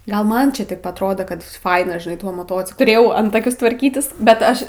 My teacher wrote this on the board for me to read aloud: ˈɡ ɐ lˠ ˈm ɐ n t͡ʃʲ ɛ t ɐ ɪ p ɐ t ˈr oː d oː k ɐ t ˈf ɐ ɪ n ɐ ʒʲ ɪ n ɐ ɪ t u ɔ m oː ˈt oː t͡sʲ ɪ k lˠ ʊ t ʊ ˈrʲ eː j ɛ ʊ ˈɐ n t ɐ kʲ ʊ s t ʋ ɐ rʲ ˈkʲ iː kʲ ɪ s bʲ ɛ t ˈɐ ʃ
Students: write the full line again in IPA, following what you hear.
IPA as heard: ˈɡ ɐ lˠ ˈm ɐ n t͡ʃʲ ɛ t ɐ ɪ p ɐ t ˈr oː d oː k ɐ t ˈf ɐ ɪ n ɐ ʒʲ ɪ n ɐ ɪ t u ɔ m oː ˈt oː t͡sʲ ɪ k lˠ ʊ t ʊ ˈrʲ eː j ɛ ʊ ˈɐ n t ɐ kʲ ʊ s t ʋ ɐ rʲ ˈkʲ iː tʲ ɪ s bʲ ɛ t ˈɐ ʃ